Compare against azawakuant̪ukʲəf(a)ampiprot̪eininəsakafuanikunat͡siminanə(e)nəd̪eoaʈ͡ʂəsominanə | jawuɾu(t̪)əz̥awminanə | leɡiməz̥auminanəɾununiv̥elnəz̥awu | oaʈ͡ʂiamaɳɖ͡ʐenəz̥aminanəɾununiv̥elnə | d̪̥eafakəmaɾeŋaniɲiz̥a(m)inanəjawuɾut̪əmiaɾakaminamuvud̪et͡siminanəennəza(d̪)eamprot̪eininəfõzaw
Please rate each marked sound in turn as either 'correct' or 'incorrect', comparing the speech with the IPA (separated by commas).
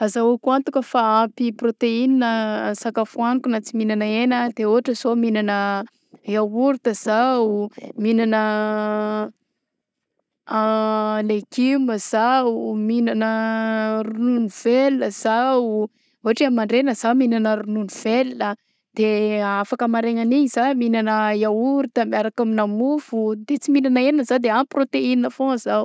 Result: correct, correct, correct, correct, correct